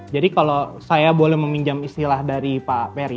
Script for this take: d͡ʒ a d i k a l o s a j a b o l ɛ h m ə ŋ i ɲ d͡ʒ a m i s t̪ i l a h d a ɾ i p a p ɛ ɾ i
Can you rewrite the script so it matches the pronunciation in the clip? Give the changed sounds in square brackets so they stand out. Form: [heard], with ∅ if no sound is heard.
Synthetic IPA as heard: d͡ʒ a d i k a l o s a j a b o l ɛ h m ə [m] i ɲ d͡ʒ a m i s t̪ i l a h d a ɾ i p a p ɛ ɾ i